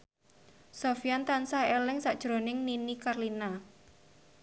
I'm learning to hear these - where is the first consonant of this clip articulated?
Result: tongue tip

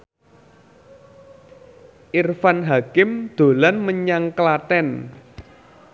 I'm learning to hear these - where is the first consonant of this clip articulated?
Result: throat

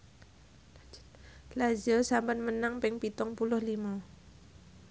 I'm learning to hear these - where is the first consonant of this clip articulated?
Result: tongue tip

